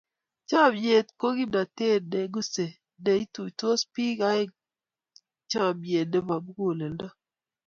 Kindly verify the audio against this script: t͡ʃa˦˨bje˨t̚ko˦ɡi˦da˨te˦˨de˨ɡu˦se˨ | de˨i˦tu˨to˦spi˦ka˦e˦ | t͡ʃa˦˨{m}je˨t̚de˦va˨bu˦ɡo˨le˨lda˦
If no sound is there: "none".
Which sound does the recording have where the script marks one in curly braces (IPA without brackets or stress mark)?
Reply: b